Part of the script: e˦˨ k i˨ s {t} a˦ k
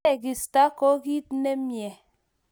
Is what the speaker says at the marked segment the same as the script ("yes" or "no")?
yes